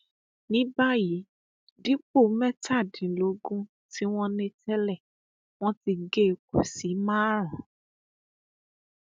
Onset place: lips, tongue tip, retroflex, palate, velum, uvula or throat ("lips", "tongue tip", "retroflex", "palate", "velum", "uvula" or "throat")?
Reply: tongue tip